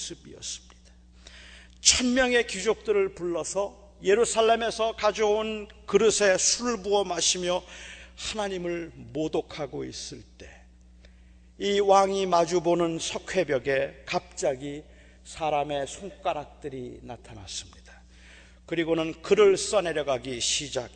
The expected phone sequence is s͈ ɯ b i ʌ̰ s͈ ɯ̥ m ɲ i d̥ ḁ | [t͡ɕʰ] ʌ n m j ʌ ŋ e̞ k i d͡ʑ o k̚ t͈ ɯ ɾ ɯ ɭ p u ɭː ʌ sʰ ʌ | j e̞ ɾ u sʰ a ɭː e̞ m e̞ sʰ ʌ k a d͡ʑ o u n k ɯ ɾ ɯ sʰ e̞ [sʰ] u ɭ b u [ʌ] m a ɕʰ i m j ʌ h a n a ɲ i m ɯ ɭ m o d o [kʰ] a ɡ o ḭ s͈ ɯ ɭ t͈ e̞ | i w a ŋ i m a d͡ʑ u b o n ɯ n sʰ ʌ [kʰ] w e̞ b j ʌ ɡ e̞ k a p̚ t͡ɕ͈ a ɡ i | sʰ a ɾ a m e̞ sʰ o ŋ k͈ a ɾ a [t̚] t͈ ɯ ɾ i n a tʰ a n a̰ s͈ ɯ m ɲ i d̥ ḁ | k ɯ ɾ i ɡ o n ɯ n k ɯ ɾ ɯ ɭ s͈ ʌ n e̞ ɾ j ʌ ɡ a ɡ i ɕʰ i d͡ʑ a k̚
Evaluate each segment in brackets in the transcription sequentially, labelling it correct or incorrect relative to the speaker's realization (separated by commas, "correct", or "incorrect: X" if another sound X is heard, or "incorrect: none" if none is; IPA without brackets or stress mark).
correct, correct, correct, correct, correct, incorrect: k̚